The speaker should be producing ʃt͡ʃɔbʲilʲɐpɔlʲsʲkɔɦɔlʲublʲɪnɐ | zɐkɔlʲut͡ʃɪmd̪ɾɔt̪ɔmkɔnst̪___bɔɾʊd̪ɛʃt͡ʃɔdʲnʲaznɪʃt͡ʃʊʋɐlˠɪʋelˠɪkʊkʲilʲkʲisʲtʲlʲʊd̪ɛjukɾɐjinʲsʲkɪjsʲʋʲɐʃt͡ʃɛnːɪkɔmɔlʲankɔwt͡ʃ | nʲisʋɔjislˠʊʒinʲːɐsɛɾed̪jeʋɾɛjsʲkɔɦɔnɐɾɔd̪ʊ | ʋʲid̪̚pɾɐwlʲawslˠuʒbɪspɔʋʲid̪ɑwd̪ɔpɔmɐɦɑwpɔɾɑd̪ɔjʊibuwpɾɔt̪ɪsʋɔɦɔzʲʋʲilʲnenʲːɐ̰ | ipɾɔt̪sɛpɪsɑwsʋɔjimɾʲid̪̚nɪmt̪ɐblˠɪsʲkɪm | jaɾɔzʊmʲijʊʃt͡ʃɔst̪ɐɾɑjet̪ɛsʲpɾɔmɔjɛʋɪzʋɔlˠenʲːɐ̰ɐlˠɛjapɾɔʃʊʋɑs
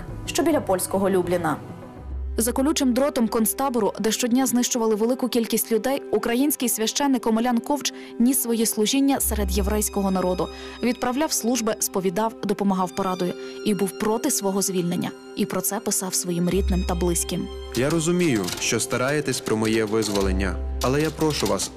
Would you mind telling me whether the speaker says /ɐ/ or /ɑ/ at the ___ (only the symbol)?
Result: ɑ